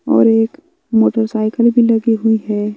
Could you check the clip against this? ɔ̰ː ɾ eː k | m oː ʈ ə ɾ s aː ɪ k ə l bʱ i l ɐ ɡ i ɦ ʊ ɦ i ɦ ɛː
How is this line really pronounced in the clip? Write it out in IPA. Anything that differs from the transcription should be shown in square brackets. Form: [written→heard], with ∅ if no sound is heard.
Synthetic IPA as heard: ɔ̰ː ɾ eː k | m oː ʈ ə ɾ s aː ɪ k ə l bʱ i l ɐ ɡ i ɦ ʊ [ɦ→∅] i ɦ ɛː